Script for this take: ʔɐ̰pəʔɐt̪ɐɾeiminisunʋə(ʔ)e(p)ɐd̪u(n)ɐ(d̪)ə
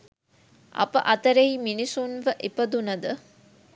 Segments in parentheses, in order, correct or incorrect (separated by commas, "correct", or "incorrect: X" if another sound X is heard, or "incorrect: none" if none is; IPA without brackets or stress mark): correct, correct, correct, correct